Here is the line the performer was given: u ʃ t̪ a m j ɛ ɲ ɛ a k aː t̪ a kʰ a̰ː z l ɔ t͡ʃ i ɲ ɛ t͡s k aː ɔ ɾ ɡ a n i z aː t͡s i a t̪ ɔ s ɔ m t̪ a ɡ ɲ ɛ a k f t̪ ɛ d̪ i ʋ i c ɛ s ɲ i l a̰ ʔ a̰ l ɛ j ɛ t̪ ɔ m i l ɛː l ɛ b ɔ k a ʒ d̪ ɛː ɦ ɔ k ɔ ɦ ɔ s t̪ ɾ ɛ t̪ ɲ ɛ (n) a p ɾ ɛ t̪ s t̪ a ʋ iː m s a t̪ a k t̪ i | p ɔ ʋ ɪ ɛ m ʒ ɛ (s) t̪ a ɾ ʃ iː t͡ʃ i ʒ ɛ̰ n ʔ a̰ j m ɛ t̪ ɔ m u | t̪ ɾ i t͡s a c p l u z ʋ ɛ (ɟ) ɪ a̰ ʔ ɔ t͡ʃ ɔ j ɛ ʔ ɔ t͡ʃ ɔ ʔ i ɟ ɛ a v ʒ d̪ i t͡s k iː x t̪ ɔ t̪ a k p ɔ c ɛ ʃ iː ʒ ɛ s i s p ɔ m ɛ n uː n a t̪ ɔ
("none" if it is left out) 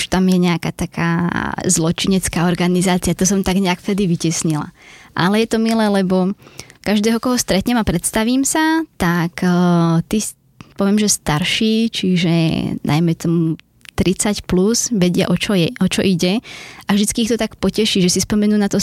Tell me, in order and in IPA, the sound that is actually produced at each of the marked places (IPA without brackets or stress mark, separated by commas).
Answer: m, s, ɟ